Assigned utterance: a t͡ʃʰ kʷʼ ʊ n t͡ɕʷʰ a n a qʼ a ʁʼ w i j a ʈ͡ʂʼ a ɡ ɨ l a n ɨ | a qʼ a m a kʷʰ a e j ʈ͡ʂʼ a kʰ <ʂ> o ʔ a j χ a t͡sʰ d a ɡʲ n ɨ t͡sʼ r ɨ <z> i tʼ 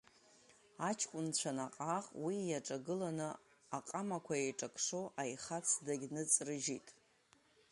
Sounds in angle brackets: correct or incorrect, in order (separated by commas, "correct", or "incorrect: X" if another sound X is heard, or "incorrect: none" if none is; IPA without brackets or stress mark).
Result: correct, incorrect: ʒ